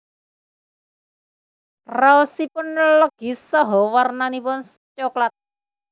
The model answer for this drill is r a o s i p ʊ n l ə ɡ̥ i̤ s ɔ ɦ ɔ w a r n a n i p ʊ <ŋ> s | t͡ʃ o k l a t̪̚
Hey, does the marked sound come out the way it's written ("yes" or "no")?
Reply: no